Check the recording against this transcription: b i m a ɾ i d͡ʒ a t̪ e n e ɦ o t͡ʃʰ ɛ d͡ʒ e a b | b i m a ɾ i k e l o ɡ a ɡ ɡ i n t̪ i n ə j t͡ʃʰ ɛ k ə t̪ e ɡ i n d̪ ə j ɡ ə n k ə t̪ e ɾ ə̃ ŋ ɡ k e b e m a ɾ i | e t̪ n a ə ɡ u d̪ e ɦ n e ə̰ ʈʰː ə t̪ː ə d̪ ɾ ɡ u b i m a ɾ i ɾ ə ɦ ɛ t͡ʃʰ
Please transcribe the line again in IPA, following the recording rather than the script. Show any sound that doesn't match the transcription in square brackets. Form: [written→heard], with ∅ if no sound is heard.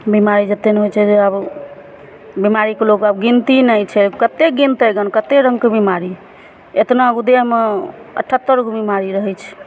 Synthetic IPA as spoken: b i m a ɾ i d͡ʒ [a→ə] t̪ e n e ɦ o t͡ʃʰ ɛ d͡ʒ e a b | b i m a ɾ i k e l o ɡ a [ɡ→b] ɡ i n t̪ i n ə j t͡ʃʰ ɛ k ə t̪ e ɡ i n [d̪→t̪] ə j ɡ ə n k ə t̪ e ɾ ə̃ ŋ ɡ k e b [e→i] m a ɾ i | e t̪ n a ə ɡ u d̪ e ɦ [n→m] e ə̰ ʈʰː ə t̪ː ə [d̪→∅] ɾ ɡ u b i m a ɾ i ɾ ə ɦ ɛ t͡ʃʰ